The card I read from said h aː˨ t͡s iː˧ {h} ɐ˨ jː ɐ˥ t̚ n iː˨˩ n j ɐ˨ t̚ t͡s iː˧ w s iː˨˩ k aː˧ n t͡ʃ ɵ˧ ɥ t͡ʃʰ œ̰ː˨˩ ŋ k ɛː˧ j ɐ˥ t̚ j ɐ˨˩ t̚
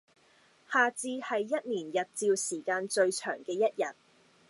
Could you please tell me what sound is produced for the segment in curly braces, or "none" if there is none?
h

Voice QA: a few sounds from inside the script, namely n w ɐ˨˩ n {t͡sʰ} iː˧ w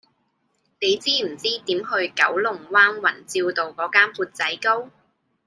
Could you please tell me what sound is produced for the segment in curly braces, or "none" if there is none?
t͡s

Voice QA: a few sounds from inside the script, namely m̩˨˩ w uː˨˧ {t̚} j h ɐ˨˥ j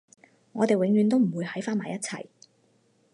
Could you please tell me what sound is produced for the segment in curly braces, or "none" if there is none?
none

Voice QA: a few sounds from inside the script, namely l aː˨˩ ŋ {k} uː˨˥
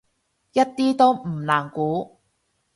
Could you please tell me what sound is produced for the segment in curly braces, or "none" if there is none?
k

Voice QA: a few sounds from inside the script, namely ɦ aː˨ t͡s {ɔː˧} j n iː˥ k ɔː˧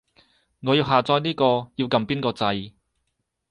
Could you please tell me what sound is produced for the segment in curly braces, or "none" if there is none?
ɔː˧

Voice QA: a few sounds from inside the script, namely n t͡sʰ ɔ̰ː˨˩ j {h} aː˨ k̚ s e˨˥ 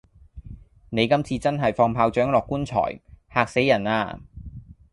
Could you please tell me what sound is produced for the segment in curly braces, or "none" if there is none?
h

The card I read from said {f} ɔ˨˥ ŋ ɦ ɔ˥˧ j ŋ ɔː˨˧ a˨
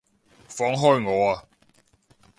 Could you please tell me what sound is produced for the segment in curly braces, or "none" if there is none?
f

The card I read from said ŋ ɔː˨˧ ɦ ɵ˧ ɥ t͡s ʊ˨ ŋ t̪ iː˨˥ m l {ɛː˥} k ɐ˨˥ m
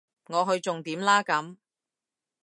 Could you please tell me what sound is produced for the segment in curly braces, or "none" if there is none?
aː˥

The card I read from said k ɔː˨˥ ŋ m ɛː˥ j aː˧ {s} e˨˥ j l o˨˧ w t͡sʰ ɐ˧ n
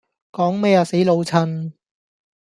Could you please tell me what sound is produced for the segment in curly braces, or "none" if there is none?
s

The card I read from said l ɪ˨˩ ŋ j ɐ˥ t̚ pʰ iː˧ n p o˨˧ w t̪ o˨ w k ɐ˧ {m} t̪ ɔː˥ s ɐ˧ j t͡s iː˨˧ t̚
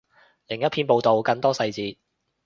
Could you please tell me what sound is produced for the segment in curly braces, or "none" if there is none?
ŋ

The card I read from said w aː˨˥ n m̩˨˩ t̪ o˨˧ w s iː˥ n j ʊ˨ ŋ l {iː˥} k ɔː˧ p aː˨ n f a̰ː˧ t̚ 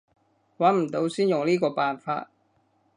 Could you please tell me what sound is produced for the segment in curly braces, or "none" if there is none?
iː˥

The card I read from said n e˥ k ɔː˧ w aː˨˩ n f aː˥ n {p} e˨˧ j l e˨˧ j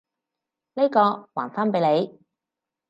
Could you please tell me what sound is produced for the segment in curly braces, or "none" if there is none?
p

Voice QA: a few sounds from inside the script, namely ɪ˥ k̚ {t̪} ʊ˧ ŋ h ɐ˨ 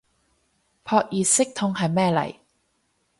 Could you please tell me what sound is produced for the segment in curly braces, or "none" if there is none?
t̪ʰ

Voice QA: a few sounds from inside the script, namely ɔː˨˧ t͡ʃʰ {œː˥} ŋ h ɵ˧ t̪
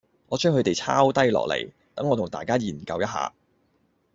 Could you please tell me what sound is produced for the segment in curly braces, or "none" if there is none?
œː˥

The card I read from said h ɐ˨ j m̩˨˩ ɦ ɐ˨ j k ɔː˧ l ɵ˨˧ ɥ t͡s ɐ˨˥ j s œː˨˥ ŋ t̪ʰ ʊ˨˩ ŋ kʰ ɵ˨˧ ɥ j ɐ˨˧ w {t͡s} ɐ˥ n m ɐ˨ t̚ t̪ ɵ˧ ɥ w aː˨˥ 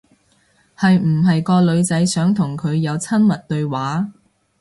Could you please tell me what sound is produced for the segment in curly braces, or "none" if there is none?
t͡sʰ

